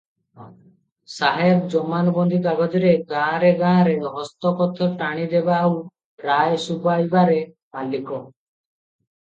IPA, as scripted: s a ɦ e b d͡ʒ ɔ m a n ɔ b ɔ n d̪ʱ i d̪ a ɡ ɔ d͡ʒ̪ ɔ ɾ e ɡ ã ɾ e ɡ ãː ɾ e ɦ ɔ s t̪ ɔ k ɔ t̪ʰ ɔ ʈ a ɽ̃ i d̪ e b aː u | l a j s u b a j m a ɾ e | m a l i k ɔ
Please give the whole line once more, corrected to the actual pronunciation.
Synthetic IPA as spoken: s a ɦ e b d͡ʒ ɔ m a n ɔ b ɔ n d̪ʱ i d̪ a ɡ ɔ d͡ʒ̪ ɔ ɾ e ɡ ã ɾ e ɡ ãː ɾ e ɦ ɔ s t̪ ɔ k ɔ t̪ʰ ɔ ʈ a ɽ̃ i d̪ e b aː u | ɾ a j s u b a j b a ɾ e | m a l i k ɔ